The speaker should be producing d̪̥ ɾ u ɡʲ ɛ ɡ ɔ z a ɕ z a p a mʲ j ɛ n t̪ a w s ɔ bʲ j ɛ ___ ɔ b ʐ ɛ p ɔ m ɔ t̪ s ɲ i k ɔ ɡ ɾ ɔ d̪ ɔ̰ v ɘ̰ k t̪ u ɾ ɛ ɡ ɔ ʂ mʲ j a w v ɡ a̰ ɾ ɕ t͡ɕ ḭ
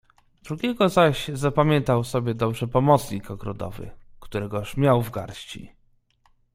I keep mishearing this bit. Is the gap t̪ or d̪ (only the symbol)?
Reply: d̪